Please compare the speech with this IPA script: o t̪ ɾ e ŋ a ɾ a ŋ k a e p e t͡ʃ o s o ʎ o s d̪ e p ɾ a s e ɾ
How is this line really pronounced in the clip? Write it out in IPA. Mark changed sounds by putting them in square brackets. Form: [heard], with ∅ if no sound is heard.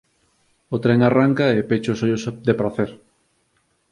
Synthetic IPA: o t̪ ɾ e ŋ a [r] a ŋ k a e p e t͡ʃ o s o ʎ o s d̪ e p ɾ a [θ] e ɾ